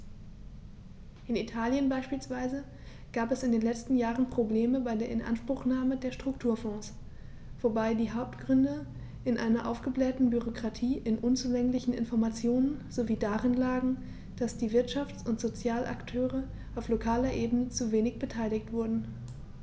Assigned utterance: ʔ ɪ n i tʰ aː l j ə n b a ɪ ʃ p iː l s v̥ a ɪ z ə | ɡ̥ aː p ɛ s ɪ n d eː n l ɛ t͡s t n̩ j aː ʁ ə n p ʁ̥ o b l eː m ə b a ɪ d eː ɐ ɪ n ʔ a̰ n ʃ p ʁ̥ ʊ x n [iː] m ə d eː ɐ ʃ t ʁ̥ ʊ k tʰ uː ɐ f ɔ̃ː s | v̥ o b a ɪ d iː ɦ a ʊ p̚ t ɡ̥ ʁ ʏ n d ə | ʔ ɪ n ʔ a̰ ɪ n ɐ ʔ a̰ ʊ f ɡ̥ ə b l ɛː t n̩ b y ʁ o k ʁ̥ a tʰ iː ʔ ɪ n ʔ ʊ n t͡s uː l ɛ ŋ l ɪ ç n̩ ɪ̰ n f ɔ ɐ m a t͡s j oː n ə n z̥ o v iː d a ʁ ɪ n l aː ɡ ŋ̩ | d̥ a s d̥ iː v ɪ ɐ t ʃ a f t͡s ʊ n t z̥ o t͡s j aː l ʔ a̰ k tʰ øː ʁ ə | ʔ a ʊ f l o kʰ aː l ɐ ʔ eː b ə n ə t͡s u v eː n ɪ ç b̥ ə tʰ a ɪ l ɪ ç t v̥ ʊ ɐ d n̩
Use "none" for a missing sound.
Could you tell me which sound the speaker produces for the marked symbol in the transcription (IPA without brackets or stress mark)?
aː